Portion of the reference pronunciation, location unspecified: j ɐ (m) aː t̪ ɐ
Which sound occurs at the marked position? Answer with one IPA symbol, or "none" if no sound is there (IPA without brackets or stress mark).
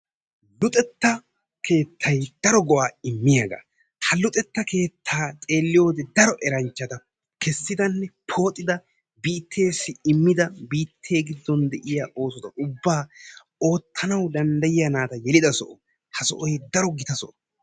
n